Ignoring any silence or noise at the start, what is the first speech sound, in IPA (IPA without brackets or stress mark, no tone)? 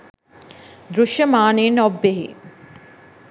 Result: d̪